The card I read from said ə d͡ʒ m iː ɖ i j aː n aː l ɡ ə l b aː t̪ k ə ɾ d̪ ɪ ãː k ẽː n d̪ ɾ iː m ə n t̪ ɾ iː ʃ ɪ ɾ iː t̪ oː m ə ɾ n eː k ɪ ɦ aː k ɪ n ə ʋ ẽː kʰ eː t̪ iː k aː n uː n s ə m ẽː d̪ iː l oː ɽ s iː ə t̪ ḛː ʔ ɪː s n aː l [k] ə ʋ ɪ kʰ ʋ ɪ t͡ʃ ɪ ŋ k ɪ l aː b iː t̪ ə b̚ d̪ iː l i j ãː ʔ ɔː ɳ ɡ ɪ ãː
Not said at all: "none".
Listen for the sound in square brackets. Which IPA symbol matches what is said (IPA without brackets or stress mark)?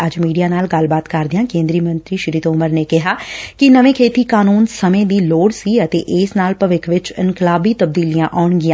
p